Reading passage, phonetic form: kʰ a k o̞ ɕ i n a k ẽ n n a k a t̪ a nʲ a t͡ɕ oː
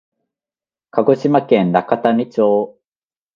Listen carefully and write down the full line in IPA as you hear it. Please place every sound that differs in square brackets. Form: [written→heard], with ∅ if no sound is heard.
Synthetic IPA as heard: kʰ a [k→ɡ] o̞ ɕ i [n→m] a k ẽ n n a k a t̪ a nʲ [a→i] t͡ɕ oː